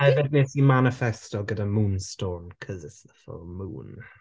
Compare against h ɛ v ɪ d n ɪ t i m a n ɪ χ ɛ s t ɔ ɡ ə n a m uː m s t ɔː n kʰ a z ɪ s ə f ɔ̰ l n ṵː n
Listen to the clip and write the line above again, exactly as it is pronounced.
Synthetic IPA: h ɛ v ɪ d n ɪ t i m a n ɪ f ɛ s t ɔ ɡ ə d a m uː n s t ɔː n kʰ ə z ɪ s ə f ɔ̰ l m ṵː n